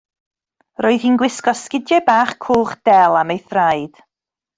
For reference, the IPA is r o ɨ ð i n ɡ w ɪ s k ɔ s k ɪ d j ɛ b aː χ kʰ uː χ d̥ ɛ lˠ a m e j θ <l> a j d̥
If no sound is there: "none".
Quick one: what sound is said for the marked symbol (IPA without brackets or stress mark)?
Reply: r